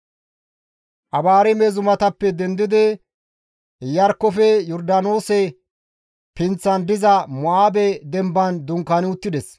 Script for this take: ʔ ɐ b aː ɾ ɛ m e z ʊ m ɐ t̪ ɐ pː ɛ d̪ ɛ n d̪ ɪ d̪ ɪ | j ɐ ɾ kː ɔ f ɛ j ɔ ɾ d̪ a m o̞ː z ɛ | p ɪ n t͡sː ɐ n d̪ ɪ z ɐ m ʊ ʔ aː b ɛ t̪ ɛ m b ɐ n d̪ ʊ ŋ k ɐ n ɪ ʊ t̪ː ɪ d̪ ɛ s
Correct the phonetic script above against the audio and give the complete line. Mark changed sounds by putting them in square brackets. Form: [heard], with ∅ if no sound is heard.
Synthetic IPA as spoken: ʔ ɐ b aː ɾ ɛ m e z ʊ m ɐ t̪ ɐ pː ɛ d̪ ɛ n d̪ ɪ d̪ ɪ | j ɐ ɾ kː ɔ f ɛ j ɔ ɾ d̪ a [n] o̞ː [s] ɛ | p ɪ n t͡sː ɐ n d̪ ɪ z ɐ m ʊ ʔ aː b ɛ [d̪] ɛ m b ɐ n d̪ ʊ ŋ k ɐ n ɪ ʊ t̪ː ɪ d̪ ɛ s